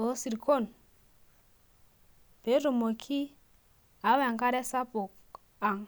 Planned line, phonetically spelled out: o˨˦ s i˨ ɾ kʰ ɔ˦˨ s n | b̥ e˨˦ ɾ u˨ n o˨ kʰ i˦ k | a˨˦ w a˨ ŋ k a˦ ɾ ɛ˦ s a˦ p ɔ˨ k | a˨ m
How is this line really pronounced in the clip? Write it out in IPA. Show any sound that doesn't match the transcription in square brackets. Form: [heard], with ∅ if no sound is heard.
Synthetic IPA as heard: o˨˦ s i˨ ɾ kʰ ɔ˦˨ [∅] n | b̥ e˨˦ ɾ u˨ [m] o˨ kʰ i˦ [∅] | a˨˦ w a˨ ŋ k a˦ ɾ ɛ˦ s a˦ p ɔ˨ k | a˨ [ŋ]